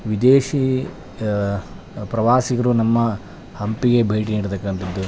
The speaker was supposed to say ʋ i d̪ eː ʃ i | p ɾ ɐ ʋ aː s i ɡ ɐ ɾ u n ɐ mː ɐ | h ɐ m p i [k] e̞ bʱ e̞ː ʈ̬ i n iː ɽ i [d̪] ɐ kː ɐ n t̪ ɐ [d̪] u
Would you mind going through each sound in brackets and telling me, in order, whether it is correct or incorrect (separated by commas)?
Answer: incorrect, incorrect, incorrect